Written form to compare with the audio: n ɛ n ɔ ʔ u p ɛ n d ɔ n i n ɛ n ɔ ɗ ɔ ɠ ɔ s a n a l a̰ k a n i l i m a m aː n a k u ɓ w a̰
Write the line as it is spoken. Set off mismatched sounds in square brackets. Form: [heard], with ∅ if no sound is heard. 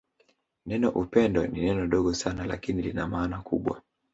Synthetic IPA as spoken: n ɛ n ɔ ʔ u p ɛ n d ɔ n i n ɛ n ɔ ɗ ɔ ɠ ɔ s a n a l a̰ k [i] n i l i [n] a m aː n a k u ɓ w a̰